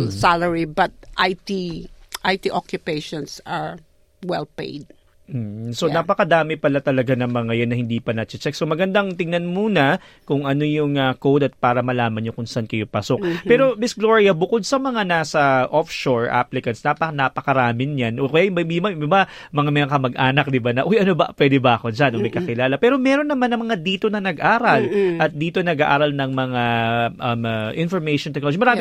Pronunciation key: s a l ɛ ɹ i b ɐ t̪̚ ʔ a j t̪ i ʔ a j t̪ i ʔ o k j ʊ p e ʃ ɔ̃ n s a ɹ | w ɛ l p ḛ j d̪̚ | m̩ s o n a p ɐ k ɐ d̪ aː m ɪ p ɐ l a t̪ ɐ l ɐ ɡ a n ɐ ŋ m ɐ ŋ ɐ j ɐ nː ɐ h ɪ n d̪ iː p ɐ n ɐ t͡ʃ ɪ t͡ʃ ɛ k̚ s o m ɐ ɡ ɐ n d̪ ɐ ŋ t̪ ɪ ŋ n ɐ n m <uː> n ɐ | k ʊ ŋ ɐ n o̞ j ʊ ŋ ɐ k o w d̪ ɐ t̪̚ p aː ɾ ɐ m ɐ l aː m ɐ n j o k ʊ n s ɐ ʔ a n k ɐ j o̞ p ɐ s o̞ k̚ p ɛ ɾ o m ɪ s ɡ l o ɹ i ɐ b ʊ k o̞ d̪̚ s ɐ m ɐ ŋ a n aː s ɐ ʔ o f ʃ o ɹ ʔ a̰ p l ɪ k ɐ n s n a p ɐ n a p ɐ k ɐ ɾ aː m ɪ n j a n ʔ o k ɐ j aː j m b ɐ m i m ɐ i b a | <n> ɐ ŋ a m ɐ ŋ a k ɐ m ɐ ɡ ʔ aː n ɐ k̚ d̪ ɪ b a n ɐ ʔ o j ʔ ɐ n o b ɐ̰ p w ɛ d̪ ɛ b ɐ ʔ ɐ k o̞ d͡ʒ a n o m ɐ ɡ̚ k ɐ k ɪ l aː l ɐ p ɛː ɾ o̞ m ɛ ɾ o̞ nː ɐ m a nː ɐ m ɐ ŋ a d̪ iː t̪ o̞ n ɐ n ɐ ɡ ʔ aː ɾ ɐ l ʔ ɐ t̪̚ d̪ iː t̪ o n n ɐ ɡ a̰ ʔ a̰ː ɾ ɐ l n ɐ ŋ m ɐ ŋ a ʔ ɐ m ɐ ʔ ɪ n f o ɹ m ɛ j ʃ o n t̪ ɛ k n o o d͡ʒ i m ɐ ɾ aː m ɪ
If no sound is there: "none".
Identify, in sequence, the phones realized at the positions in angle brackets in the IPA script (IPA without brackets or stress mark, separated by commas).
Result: uː, m